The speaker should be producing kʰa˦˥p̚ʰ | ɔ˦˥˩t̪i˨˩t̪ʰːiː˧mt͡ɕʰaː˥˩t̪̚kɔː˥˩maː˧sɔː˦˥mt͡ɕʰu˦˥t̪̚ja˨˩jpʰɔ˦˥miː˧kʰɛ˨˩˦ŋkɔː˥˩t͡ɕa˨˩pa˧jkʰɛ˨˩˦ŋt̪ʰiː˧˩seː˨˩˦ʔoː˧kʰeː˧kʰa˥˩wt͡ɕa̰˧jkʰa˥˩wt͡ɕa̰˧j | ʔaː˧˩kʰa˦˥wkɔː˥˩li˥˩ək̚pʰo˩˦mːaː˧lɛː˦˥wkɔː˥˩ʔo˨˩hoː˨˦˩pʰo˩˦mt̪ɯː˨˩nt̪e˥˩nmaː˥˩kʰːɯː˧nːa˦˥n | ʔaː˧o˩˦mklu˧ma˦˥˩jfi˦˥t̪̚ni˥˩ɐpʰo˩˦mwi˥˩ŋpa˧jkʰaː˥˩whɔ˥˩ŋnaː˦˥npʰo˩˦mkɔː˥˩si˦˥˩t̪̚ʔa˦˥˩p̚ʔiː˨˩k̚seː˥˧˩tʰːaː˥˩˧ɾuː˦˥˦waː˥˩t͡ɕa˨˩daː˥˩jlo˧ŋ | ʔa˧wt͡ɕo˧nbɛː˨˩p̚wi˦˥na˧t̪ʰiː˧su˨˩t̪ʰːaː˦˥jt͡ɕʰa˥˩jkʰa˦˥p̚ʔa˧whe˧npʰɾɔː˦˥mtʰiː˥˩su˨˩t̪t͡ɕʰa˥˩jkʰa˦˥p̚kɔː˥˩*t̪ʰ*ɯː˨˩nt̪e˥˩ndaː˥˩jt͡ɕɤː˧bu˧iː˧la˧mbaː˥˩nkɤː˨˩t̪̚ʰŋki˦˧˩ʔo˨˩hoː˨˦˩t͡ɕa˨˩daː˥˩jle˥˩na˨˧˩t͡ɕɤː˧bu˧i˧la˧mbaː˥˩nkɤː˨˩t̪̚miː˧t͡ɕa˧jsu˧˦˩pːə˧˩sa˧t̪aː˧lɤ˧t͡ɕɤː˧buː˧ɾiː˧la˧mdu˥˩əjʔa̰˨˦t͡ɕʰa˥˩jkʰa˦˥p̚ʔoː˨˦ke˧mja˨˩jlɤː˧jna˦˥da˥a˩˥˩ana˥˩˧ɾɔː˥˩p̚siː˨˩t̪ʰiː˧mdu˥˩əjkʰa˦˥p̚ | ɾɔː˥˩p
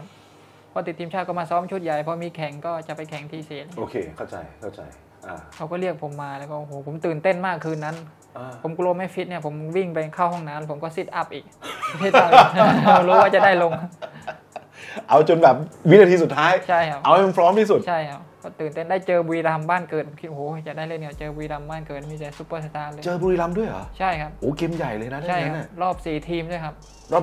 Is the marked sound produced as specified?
no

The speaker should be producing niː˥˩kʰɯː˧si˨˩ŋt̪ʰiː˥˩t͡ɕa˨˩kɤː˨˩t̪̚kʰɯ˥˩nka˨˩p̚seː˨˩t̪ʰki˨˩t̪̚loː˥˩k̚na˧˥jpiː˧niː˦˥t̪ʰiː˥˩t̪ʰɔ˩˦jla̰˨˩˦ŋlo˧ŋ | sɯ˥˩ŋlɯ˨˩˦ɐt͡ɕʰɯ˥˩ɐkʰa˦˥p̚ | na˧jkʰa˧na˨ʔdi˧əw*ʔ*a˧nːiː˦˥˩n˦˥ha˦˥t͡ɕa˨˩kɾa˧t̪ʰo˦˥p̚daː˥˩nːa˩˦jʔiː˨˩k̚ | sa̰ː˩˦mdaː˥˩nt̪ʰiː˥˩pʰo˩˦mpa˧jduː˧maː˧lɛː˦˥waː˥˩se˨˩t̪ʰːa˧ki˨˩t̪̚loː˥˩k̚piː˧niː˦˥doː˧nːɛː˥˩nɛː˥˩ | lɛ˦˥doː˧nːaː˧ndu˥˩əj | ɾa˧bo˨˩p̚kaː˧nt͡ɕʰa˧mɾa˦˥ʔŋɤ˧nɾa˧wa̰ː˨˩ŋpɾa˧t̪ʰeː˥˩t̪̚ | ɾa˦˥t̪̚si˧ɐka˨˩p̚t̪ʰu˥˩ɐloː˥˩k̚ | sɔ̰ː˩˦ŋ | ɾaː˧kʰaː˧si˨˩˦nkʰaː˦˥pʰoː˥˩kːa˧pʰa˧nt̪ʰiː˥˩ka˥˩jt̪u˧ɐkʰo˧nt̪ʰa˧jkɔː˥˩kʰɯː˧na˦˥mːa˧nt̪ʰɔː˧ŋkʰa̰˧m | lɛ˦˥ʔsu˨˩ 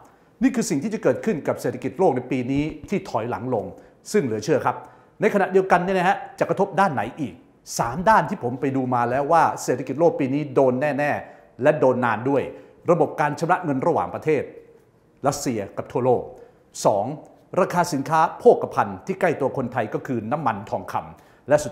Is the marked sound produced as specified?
no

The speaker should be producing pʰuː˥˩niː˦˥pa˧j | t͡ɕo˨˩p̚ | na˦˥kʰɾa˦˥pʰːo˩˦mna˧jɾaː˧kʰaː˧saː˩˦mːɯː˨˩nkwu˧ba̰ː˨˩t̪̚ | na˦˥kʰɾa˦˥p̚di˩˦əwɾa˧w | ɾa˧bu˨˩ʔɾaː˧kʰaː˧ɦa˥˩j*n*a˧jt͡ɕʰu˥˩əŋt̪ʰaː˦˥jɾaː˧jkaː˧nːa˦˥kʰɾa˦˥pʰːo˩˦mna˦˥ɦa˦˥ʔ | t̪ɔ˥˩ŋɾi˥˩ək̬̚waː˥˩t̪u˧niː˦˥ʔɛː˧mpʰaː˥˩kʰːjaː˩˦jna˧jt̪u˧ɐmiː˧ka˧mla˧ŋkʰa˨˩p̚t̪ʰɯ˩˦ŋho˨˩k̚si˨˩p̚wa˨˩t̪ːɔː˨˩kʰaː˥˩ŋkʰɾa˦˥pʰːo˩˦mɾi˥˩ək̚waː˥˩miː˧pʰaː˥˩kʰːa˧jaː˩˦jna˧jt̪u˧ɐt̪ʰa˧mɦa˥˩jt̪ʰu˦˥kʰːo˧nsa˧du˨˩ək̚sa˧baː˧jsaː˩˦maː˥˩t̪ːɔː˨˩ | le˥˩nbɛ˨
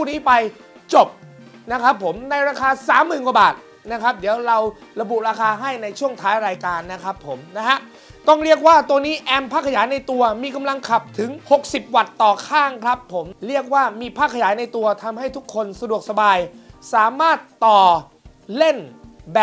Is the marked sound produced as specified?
yes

